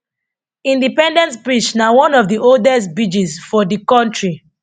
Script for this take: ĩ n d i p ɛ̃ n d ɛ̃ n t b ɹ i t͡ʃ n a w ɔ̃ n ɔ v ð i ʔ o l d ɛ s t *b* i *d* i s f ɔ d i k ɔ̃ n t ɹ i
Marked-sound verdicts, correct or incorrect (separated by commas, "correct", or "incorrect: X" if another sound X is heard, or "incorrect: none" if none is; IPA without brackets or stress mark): correct, incorrect: d͡ʒ